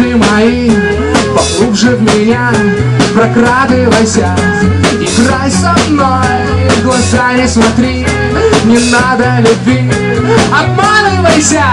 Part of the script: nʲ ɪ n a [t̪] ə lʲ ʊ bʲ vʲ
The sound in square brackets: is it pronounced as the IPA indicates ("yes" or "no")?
no